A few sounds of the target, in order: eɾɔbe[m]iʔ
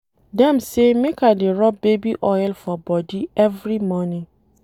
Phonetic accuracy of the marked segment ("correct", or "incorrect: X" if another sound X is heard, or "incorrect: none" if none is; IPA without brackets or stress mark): incorrect: b